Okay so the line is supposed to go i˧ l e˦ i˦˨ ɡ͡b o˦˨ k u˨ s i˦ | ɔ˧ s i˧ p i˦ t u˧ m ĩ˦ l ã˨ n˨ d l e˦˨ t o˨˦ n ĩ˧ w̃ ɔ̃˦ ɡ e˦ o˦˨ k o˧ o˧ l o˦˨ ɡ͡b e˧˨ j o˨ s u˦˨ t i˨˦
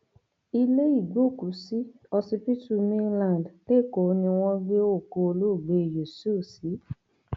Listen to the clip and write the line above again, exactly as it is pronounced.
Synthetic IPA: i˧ l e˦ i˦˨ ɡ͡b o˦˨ k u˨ s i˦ | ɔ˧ s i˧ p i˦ t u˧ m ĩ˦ l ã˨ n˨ d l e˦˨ k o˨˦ n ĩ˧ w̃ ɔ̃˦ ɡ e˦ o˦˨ k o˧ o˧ l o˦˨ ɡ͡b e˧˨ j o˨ s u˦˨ s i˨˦